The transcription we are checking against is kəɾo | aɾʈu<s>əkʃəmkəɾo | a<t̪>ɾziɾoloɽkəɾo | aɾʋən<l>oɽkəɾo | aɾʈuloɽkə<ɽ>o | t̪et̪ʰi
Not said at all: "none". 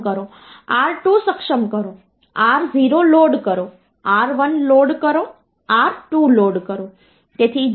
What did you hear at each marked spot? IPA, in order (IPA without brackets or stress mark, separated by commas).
s, none, l, ɾ